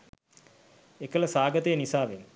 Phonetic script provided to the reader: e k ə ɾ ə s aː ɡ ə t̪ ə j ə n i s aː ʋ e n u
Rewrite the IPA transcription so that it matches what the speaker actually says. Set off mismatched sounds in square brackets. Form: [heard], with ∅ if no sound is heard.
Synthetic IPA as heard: e k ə [l] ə s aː ɡ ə t̪ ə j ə n i s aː ʋ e n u